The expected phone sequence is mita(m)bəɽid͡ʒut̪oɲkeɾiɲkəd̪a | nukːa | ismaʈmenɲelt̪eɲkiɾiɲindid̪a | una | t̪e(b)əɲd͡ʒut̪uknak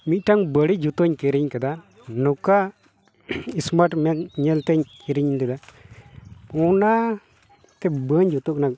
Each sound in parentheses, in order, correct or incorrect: incorrect: ŋ, correct

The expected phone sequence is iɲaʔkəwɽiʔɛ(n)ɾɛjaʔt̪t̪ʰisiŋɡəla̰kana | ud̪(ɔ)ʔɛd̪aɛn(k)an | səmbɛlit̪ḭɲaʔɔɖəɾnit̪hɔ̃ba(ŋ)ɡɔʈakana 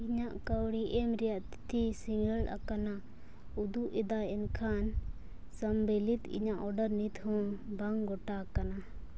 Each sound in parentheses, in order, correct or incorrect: incorrect: m, incorrect: u, incorrect: kʰ, correct

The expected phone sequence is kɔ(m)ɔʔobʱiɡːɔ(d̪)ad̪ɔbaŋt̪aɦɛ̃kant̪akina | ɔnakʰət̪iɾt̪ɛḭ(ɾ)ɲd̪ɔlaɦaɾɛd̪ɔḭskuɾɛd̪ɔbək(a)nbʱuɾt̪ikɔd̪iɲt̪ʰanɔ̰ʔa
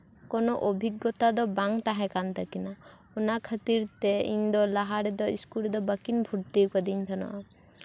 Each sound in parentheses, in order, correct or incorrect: incorrect: n, incorrect: t̪, incorrect: none, incorrect: i

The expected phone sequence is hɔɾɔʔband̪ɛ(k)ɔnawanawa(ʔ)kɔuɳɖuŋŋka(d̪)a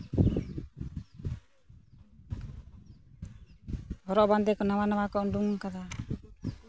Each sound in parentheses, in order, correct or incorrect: correct, incorrect: none, correct

